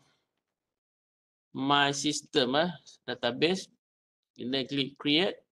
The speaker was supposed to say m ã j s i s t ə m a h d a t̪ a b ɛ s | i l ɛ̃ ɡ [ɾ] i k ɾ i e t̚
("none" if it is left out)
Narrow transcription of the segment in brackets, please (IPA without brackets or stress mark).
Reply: l